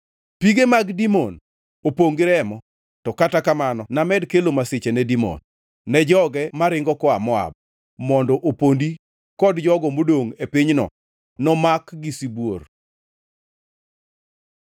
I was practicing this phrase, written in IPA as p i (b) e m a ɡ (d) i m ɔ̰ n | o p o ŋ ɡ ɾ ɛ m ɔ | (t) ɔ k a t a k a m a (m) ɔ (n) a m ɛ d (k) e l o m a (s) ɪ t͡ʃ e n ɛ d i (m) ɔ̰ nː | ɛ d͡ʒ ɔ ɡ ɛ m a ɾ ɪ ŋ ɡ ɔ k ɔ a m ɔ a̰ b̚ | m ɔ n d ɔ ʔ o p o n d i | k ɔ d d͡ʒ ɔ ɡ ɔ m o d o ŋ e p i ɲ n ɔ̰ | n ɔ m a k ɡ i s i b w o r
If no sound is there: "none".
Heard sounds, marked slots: ɡ, d, t, n, n, k, s, m

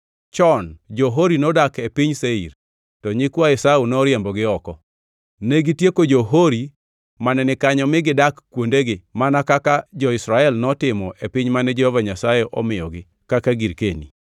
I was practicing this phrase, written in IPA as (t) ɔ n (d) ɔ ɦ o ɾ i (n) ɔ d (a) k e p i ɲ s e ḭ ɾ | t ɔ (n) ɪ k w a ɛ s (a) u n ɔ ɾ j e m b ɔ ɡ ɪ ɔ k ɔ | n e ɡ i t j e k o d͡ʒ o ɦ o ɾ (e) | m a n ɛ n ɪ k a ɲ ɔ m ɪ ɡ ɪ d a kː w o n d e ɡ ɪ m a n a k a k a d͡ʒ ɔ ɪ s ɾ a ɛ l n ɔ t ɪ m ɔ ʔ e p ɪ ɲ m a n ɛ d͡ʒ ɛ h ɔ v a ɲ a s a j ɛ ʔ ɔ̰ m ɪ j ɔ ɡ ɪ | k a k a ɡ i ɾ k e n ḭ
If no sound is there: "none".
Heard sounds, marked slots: t͡ʃ, d͡ʒ, n, a, ɲ, a, i

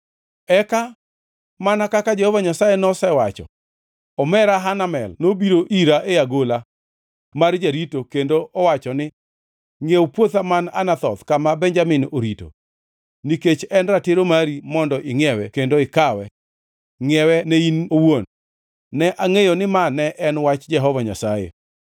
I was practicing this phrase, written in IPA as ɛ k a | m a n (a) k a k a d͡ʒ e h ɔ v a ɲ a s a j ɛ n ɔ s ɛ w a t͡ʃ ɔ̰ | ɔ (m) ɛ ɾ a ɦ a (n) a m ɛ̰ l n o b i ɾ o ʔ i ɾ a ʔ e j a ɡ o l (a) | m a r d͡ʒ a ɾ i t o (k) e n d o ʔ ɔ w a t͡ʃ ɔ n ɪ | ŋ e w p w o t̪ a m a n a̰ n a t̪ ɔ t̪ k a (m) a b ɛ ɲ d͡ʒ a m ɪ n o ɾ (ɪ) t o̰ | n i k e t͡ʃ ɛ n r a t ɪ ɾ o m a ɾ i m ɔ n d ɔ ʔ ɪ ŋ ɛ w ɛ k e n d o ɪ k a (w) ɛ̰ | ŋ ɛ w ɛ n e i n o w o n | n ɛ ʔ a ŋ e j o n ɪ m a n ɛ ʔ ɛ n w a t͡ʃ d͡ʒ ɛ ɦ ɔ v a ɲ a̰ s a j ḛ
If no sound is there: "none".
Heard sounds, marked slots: a, m, n, a, k, m, i, w

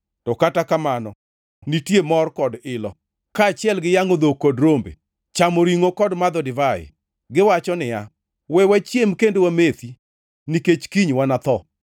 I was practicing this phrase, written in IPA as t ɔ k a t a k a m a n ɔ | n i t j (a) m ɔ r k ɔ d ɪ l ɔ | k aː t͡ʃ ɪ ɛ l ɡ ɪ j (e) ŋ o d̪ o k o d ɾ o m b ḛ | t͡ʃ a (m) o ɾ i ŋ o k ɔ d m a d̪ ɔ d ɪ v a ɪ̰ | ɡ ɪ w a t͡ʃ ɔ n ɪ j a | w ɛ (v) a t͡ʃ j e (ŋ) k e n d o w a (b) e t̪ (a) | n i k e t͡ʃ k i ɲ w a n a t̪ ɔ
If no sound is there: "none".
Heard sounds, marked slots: e, a, m, w, m, m, i

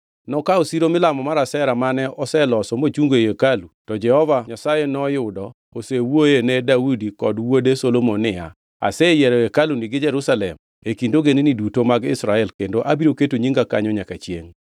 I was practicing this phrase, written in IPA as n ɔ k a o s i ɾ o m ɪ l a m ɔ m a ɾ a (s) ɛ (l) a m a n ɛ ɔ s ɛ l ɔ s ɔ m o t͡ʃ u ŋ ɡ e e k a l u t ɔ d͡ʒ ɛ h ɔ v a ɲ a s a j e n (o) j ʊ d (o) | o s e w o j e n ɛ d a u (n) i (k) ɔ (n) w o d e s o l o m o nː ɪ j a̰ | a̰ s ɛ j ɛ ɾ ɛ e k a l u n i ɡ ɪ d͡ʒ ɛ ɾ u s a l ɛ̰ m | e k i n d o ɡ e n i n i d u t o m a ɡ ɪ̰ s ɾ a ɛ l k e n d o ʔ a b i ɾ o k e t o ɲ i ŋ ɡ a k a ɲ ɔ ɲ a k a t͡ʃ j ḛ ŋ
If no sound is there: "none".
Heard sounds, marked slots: s, ɾ, ɔ, ɔ, d, k, d

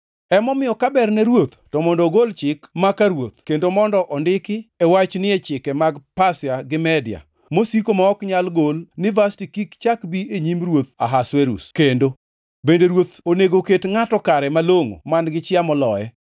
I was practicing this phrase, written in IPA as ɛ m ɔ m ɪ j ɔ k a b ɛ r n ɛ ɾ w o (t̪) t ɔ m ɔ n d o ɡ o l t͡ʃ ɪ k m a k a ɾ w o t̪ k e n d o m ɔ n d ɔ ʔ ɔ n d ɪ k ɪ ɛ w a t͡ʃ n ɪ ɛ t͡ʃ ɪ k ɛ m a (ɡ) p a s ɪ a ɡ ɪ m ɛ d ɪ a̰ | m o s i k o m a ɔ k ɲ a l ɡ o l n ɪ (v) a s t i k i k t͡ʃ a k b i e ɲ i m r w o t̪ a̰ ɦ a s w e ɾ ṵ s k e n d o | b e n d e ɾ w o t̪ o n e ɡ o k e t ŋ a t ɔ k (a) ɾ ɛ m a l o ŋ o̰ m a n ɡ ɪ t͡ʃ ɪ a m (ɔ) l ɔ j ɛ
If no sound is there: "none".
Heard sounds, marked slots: t̪, ɡ, v, a, ɔ

